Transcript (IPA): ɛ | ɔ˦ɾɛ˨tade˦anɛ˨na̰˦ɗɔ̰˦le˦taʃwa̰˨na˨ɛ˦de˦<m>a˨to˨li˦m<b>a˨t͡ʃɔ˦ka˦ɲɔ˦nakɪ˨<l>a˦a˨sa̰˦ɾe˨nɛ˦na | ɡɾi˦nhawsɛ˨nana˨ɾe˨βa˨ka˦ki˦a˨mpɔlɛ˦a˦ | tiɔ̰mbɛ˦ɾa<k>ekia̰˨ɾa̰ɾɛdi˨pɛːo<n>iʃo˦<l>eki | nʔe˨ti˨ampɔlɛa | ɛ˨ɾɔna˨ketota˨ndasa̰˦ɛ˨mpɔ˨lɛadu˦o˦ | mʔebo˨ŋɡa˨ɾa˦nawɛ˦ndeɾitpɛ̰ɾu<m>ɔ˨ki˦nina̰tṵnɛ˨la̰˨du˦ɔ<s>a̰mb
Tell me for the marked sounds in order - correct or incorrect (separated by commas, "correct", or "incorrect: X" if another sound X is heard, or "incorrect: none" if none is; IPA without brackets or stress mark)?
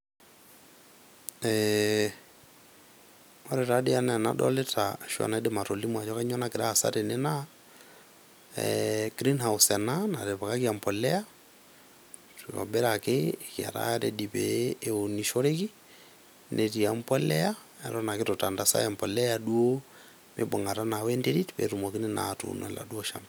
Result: correct, incorrect: w, incorrect: ɾ, correct, correct, incorrect: ɾ, correct, incorrect: ʃ